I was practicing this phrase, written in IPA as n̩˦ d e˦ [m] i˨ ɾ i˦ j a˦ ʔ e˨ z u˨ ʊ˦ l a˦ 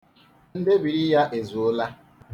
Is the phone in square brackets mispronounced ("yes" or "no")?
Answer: yes